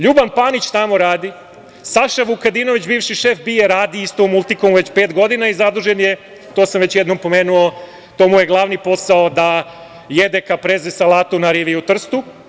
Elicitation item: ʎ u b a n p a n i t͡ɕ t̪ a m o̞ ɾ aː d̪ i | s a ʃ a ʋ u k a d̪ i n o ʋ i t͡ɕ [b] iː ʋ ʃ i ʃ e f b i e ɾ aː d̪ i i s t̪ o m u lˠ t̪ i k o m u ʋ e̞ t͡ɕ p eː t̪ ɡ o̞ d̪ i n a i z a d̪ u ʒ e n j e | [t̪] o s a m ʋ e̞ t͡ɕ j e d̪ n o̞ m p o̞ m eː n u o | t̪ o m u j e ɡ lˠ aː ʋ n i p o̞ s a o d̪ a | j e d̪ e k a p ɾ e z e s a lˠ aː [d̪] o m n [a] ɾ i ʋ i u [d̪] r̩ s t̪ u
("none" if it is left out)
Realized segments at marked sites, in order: b, t̪, t̪, a, t̪

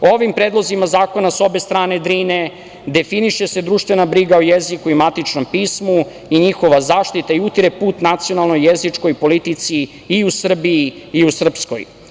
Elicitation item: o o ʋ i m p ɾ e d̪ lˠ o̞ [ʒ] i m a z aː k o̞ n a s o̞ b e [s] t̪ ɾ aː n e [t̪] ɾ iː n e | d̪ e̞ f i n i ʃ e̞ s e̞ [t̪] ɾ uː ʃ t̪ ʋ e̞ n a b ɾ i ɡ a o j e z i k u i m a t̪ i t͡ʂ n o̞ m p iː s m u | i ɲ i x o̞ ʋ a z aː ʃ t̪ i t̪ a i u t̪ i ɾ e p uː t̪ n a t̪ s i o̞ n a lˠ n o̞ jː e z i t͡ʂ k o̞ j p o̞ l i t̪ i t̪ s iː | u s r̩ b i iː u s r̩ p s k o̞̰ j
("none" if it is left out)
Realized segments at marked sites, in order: z, s, d̪, d̪

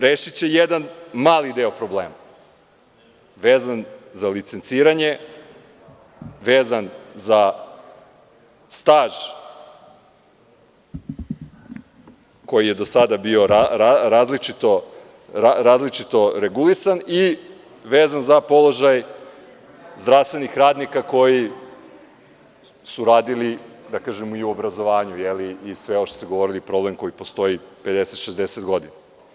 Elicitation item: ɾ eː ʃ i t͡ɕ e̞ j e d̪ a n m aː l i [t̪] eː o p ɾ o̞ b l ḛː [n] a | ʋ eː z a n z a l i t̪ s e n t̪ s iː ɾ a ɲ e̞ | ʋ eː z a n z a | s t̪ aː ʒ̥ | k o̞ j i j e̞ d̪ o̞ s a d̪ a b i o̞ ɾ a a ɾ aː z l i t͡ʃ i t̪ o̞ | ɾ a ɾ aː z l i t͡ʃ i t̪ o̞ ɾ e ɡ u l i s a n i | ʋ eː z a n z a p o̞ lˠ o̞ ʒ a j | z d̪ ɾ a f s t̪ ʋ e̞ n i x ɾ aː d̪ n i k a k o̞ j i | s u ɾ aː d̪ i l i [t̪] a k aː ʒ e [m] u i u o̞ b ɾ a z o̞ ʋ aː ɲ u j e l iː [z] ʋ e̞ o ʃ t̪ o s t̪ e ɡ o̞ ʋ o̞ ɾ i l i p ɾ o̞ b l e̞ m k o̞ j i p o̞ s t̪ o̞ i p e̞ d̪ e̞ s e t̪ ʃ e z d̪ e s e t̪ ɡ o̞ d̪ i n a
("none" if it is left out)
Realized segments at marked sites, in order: d̪, m, d̪, m, s

